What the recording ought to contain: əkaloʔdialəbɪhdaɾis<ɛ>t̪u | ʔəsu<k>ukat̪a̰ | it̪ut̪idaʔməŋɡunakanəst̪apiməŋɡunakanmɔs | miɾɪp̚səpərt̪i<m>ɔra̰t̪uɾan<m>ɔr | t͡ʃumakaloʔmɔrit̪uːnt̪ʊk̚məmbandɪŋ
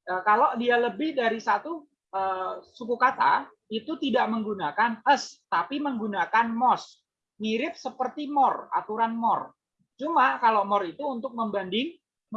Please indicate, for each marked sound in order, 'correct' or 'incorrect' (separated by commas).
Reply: incorrect, correct, correct, correct